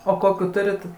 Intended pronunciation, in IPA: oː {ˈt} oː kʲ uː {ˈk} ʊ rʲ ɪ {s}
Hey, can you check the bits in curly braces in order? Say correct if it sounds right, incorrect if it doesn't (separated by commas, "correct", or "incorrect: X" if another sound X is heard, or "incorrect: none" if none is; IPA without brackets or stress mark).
incorrect: k, incorrect: t, incorrect: t